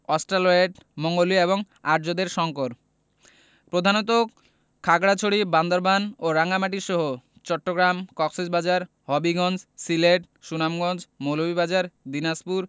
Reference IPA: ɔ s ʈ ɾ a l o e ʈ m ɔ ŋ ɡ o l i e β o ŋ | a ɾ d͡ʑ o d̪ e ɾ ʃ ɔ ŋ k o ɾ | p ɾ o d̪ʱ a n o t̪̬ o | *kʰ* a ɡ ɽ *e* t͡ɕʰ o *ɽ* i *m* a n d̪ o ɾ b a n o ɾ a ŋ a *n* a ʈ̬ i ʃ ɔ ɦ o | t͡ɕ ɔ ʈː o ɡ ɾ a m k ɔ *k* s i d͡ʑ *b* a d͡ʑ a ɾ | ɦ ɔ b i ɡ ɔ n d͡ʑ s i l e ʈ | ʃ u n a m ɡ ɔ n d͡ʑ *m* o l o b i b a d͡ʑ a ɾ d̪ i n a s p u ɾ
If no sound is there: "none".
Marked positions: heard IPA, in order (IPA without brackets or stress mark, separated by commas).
kʰ, a, ɽ, b, m, k, b, m